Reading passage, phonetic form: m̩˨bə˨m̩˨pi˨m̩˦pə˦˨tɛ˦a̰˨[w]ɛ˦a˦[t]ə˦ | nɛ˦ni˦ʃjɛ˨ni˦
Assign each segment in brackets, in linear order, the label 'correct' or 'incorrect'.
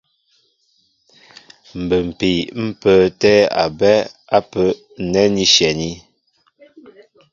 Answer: incorrect: b, incorrect: p

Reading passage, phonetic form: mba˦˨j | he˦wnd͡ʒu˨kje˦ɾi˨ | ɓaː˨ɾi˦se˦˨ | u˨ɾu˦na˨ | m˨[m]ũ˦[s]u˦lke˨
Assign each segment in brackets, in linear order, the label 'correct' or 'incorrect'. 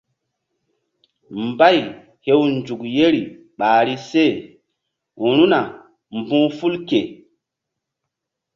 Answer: incorrect: b, incorrect: f

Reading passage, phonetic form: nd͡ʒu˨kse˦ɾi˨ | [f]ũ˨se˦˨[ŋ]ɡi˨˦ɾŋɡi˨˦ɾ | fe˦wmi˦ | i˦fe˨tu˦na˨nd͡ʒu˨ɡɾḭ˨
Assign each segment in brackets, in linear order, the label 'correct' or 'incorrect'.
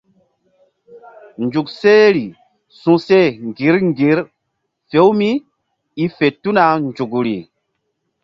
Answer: incorrect: s, correct

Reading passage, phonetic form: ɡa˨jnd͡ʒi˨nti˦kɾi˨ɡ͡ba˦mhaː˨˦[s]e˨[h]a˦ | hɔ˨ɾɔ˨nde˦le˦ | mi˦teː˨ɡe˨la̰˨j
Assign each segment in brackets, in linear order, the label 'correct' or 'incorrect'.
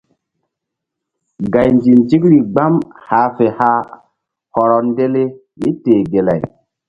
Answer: incorrect: f, correct

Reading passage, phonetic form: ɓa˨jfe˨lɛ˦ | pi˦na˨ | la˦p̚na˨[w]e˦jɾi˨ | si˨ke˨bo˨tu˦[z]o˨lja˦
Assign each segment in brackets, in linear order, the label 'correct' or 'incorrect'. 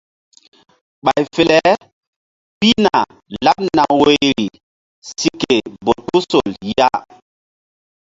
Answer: correct, incorrect: s

